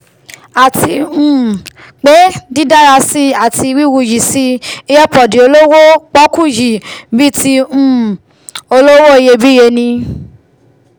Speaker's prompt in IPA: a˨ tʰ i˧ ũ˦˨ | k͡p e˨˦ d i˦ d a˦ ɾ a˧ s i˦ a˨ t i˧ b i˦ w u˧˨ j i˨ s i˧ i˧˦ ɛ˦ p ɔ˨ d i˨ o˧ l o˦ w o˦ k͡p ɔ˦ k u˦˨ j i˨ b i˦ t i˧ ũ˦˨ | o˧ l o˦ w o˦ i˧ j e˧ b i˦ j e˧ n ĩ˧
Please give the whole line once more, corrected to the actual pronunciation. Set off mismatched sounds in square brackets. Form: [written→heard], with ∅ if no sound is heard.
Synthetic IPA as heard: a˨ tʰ i˧ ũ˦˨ | k͡p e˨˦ d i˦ d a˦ ɾ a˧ s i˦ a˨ t i˧ [b→w] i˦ w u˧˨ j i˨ s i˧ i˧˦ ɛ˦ p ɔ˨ d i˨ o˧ l o˦ w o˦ k͡p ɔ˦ k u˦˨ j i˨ b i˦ t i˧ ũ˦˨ | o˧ l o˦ w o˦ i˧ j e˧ b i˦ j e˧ n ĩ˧